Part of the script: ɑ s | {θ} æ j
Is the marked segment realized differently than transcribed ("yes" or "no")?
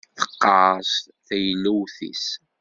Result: no